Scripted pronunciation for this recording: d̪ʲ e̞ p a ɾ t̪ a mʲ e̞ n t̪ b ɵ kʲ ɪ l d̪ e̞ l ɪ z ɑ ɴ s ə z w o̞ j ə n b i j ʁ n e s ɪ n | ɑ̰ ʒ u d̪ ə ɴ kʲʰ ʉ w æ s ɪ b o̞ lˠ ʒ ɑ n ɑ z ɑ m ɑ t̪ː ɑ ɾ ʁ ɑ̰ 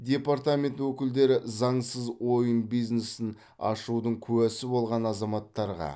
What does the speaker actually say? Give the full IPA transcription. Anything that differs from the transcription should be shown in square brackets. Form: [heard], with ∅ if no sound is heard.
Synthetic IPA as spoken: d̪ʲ e̞ p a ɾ t̪ a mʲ e̞ n t̪ [w] ɵ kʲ ɪ l d̪ e̞ [ɾ] ɪ z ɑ ɴ s ə z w o̞ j ə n b i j [z] n e s ɪ n | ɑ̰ [ʃ] u d̪ ə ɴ kʲʰ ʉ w æ s ɪ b o̞ lˠ [ʁ] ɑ n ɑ z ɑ m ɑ t̪ː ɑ ɾ ʁ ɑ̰